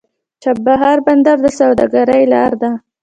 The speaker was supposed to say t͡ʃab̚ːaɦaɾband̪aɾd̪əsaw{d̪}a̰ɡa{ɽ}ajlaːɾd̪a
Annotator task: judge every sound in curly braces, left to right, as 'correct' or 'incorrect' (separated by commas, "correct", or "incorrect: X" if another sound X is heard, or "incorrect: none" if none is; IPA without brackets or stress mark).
correct, incorrect: ɾ